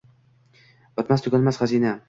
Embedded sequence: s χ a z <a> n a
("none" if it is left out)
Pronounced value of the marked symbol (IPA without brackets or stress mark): i